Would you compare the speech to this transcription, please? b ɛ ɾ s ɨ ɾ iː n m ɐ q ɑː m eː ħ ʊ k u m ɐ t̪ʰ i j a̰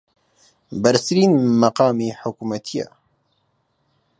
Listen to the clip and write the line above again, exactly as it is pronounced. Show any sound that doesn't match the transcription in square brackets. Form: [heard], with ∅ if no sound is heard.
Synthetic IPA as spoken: b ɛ ɾ s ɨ ɾ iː n m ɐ q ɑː m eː ħ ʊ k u m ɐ t̪ʰ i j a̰